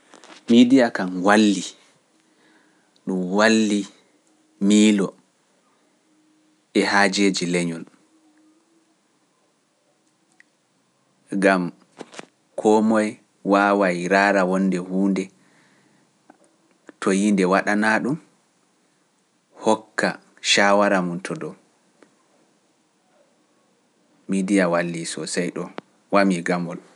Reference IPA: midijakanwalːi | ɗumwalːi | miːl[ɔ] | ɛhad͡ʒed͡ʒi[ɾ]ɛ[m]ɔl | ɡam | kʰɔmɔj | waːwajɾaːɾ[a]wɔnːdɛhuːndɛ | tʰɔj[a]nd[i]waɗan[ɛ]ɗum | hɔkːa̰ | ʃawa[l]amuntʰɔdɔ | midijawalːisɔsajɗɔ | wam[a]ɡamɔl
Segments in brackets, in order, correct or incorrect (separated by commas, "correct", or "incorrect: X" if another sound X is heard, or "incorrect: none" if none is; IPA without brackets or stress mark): correct, incorrect: l, incorrect: ɲ, correct, incorrect: i, incorrect: ɛ, incorrect: a, incorrect: ɾ, incorrect: i